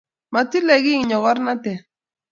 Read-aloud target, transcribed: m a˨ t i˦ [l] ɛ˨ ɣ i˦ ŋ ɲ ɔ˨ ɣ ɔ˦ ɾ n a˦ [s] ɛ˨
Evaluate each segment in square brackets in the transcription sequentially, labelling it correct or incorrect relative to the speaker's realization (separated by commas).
correct, incorrect